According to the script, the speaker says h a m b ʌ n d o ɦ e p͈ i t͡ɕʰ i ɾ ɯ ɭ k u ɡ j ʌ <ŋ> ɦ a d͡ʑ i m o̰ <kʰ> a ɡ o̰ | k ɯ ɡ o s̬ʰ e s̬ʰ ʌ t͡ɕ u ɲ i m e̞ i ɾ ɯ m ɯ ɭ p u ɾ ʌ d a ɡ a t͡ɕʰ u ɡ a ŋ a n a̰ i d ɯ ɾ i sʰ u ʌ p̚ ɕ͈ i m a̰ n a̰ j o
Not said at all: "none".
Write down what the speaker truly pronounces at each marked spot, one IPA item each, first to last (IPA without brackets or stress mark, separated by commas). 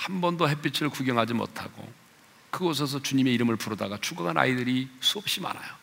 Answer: ŋ, tʰ